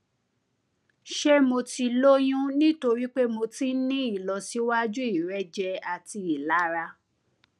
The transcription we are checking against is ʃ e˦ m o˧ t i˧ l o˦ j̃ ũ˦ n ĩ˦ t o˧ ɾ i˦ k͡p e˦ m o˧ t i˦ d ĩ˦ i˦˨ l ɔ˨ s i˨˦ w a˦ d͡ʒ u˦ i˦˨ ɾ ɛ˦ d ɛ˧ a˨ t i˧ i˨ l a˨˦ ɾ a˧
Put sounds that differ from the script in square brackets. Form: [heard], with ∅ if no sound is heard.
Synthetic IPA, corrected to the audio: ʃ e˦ m o˧ t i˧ l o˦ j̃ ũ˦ n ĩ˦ t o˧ ɾ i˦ k͡p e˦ m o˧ t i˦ [n] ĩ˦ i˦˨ l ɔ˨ s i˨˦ w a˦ d͡ʒ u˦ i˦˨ ɾ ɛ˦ [d͡ʒ] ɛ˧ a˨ t i˧ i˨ l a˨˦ ɾ a˧